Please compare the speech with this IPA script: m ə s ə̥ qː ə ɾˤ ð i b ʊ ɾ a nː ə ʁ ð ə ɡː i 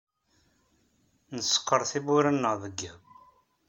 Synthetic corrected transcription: n ə s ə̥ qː ə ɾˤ θ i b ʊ ɾ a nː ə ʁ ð ə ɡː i